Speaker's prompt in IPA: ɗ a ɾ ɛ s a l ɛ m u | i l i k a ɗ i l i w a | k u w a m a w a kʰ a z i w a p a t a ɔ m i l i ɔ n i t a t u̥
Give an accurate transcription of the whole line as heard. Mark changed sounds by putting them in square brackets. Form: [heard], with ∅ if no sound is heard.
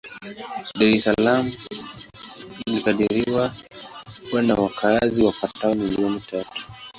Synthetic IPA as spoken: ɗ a ɾ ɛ s a l [a] m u | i l i k a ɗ i [ɾ] i w a | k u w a [n] a w a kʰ a z i w a p a t a ɔ m i l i ɔ n i t a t u̥

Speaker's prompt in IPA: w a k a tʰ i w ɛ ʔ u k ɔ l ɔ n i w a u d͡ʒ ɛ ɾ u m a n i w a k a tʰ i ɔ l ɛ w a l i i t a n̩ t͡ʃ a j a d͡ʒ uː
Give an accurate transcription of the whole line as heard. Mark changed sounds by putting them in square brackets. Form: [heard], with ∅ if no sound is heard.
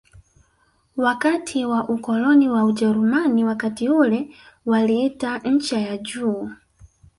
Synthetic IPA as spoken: w a k a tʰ i w [a] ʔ u k ɔ l ɔ n i w a u d͡ʒ ɛ ɾ u m a n i w a k a [t] i [u] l ɛ w a l i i t a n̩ t͡ʃ a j a d͡ʒ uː

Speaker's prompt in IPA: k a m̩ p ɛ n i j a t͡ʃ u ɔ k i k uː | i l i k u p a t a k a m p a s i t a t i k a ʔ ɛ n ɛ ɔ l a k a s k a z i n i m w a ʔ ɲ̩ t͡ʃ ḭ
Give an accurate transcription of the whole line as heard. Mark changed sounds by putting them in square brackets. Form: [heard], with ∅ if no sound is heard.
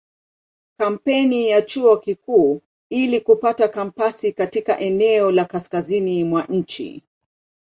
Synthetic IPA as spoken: k a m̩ p ɛ n i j a t͡ʃ u ɔ k i k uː | i l i k u p a t a k a m p a s i [k] a t i k a ʔ ɛ n ɛ ɔ l a k a s k a z i n i m w a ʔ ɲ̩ t͡ʃ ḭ

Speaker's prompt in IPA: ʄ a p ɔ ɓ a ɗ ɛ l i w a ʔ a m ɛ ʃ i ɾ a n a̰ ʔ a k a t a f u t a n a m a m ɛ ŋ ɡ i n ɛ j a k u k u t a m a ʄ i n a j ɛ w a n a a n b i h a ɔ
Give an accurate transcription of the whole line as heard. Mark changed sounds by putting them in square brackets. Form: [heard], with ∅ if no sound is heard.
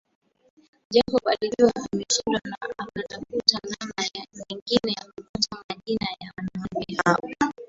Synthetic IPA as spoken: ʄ a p ɔ ɓ a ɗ [i] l i w a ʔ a m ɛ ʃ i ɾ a n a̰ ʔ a k a t a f u t a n a m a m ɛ ŋ ɡ i n ɛ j a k u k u t a m a ʄ i n a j [a] w a n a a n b i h a ɔ

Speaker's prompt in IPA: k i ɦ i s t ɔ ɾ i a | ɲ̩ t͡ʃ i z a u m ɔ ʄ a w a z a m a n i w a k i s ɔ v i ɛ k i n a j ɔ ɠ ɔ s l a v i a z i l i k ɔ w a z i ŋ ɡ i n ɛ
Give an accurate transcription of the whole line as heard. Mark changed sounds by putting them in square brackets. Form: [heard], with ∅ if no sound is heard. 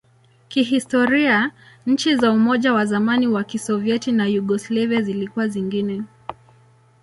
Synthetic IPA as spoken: k i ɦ i s t ɔ ɾ i a | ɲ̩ t͡ʃ i z a u m ɔ ʄ a w a z a m a n i w a k i s ɔ v i ɛ [t] i n a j [u] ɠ ɔ s l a v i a z i l i k [u] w a z i ŋ ɡ i n ɛ

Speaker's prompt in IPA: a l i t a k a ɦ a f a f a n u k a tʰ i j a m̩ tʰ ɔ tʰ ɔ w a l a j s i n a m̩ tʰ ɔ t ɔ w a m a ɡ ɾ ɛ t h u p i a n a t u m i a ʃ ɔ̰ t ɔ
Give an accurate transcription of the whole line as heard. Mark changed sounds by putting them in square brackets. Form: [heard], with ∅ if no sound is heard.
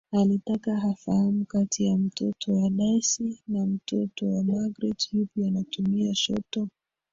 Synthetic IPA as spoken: a l i t a k a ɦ a f a [h] a [m] u k a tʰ i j a m̩ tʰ ɔ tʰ ɔ w a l a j s i n a m̩ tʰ ɔ t ɔ w a m a ɡ ɾ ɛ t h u p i a n a t u m i a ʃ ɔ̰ t ɔ

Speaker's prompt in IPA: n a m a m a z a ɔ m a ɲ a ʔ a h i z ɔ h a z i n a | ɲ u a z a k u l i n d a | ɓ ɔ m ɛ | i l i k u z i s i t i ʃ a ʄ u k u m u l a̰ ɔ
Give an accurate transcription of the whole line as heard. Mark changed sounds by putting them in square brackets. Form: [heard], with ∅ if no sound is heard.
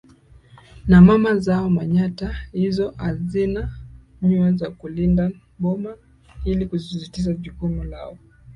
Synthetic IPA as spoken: n a m a m a z a ɔ m a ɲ a [t] a h i z ɔ h a z i n a | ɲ u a z a k u l i n d a | ɓ ɔ m [a] | i l i k u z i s i t i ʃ a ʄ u k u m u l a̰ ɔ

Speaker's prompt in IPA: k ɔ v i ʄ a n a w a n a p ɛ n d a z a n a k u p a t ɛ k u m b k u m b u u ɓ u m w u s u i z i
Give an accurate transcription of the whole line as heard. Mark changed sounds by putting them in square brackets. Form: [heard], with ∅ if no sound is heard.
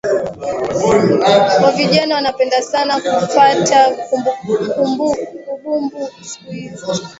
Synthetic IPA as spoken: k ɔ v i ʄ a n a w a n a p ɛ n d a [s] a n a k u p a t [a] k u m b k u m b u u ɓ u m [b] u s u i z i

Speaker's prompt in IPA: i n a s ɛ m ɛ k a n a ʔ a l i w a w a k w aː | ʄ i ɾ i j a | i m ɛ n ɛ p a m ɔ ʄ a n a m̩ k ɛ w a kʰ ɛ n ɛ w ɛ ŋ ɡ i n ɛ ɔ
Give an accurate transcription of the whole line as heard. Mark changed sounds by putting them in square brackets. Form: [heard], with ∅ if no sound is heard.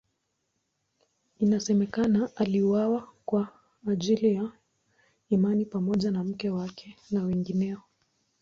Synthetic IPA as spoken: i n a s ɛ m ɛ k a n a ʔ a l i w a w a k w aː | ʄ i [l] i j a | i m [a] n [i] p a m ɔ ʄ a n a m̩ k ɛ w a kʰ ɛ n [a] w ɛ ŋ ɡ i n ɛ ɔ

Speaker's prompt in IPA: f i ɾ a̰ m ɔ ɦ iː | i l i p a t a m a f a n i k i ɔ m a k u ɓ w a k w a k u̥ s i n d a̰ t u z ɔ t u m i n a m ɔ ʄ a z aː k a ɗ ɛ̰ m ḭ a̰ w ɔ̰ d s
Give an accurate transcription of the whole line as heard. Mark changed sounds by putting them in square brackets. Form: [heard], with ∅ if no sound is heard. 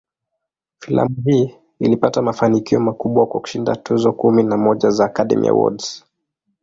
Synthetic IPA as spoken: f i [l] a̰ m [u] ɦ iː | i l i p a t a m a f a n i k i ɔ m a k u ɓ w a k w a k u̥ [ʃ] i n d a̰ t u z ɔ [k] u m i n a m ɔ ʄ a z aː k a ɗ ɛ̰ m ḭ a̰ w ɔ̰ d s

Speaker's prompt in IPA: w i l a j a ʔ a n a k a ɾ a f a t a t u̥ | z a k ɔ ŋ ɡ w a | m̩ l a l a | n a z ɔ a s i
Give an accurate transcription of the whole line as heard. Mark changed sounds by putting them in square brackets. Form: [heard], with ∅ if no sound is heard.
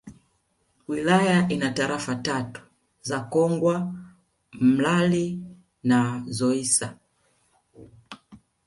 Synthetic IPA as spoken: w i l a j a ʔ [i] n a [t] a ɾ a f a t a t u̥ | z a k ɔ ŋ ɡ w a | m̩ l a l [i] | n a z ɔ [i] s [a]

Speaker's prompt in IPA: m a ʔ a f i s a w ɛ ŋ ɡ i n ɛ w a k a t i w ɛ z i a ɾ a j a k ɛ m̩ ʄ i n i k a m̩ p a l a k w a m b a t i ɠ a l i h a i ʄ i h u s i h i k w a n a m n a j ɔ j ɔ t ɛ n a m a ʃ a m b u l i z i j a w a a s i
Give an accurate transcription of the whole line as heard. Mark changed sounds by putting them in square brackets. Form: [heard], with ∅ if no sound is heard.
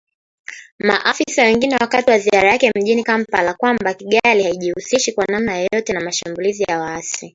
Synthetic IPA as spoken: m a ʔ a f i s a w ɛ ŋ ɡ i n ɛ w a k a t i w [a] z i a ɾ a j a k ɛ m̩ ʄ i n i k a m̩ p a l a k w a m b a [k] i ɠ a l i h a i ʄ i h u s i [ʃ] i k w a n a m n a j ɔ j ɔ t ɛ n a m a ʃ a m b u l i z i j a w a a s i

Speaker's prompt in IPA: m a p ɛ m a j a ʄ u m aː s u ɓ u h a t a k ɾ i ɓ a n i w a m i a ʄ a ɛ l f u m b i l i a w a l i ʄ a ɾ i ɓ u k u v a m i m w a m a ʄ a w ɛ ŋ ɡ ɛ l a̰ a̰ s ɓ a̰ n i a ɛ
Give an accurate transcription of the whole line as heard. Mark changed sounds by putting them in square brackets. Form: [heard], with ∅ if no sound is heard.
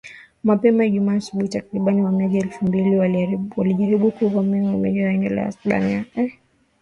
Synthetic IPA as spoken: m a p ɛ m a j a ʄ u m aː s u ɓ u h [i] t a k ɾ i ɓ a n i w a m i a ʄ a ɛ l f u m b i l i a w a l i ʄ a ɾ i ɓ u k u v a m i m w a m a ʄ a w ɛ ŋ ɡ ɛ l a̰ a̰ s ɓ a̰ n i a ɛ

